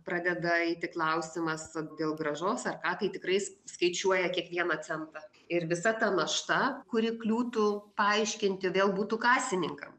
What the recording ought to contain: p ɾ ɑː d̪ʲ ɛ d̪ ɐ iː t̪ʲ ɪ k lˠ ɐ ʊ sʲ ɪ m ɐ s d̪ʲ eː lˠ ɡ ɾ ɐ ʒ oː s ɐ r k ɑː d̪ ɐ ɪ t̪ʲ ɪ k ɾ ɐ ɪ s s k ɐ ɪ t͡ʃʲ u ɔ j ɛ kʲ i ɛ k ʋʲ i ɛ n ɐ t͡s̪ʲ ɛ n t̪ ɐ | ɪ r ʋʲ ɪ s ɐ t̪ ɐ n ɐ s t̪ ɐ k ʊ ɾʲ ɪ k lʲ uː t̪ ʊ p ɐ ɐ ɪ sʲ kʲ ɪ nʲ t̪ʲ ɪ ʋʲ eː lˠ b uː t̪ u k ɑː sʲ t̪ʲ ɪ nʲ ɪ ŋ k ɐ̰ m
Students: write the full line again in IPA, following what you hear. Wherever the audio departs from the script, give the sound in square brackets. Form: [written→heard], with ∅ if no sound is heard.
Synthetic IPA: p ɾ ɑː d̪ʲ ɛ d̪ ɐ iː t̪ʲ ɪ k lˠ ɐ ʊ sʲ ɪ m ɐ s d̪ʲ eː lˠ ɡ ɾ ɐ ʒ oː s ɐ r k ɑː [d̪→t̪] ɐ ɪ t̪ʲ ɪ k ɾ ɐ ɪ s s k ɐ ɪ t͡ʃʲ u ɔ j ɛ kʲ i ɛ k ʋʲ i ɛ n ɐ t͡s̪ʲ ɛ n t̪ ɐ | ɪ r ʋʲ ɪ s ɐ t̪ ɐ n ɐ [s→ʃ] t̪ ɐ k ʊ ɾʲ ɪ k lʲ uː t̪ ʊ p ɐ ɐ ɪ [sʲ→ʃʲ] kʲ ɪ nʲ t̪ʲ ɪ ʋʲ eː lˠ b uː t̪ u k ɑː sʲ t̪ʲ ɪ nʲ ɪ ŋ k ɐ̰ m